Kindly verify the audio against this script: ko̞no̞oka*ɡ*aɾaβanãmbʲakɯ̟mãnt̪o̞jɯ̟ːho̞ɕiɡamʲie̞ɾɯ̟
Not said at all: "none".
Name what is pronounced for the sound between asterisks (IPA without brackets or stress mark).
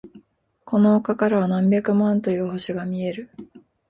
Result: k